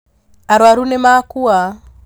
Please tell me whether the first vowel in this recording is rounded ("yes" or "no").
no